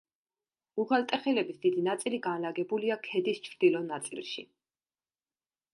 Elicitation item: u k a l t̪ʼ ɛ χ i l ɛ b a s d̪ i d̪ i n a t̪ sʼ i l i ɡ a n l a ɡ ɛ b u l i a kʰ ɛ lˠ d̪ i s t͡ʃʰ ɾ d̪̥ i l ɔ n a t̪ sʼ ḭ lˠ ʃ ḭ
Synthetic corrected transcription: u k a l t̪ʼ ɛ χ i l ɛ b i s d̪ i d̪ i n a t̪ sʼ i l i ɡ a n l a ɡ ɛ b u l i a kʰ ɛ d̪ i s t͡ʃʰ ɾ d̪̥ i l ɔ n a t̪ sʼ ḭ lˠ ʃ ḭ